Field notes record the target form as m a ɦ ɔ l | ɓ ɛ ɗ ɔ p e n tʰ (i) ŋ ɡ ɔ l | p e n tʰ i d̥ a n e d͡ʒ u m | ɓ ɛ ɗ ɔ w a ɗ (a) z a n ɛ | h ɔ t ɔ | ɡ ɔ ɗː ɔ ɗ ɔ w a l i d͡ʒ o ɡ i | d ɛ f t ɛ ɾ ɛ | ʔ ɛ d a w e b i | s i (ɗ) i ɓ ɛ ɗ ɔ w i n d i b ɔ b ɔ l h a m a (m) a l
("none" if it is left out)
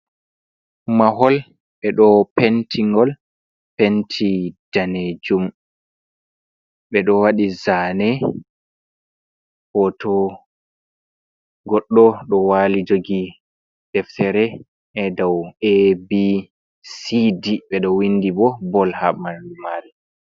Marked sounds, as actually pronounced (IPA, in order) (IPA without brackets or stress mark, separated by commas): i, i, d, m